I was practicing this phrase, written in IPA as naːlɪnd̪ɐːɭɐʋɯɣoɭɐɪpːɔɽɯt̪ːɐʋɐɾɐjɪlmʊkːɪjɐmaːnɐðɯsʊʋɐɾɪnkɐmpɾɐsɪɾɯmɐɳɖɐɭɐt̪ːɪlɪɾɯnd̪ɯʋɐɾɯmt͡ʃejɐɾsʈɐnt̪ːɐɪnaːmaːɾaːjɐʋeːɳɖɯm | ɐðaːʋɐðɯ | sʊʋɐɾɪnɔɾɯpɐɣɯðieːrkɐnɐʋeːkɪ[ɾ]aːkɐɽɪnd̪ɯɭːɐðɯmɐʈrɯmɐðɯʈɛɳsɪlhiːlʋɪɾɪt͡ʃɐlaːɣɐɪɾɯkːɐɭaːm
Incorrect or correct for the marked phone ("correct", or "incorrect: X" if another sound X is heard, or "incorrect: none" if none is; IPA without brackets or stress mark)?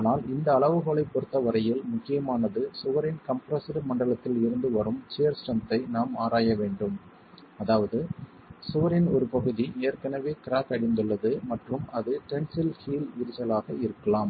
correct